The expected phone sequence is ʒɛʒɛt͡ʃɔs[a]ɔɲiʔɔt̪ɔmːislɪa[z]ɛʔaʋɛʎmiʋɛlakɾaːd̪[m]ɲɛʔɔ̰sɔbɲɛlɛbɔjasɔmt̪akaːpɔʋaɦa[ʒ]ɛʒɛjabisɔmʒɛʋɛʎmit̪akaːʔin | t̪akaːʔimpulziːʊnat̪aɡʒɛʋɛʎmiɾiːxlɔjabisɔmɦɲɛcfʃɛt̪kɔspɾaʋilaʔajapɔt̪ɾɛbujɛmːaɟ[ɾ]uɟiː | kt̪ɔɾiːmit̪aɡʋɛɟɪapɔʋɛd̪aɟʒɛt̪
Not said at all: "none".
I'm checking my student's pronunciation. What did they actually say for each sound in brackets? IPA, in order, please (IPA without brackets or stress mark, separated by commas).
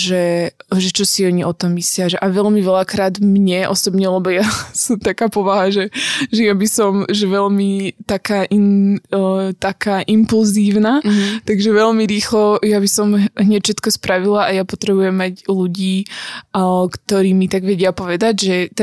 i, ʒ, m, ʒ, l